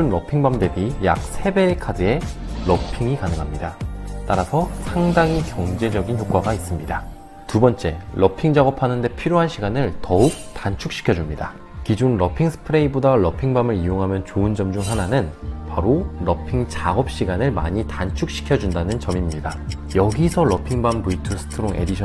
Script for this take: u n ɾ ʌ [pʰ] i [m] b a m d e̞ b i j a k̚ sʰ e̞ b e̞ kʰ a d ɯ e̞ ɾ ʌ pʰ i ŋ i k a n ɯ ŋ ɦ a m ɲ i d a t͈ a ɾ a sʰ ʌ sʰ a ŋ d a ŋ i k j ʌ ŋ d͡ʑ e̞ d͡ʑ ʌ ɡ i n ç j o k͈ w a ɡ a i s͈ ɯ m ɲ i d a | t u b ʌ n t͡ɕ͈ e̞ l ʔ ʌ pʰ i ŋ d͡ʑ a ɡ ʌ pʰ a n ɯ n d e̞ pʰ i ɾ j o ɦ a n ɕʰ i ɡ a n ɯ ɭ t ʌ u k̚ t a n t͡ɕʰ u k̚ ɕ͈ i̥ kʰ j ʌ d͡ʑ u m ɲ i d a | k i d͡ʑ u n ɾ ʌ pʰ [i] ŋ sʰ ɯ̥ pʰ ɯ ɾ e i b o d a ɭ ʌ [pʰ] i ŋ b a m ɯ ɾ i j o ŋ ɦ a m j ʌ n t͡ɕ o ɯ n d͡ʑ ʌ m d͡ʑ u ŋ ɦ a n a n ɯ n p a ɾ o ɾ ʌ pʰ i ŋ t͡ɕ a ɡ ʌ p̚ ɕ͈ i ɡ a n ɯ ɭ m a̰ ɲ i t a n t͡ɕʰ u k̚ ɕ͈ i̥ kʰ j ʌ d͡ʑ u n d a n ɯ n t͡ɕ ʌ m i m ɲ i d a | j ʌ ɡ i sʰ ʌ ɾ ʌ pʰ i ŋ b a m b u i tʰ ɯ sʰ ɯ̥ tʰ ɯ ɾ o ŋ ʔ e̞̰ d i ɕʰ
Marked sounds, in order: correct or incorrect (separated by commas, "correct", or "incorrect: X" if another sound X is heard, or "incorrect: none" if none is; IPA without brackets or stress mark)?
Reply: correct, incorrect: ŋ, correct, correct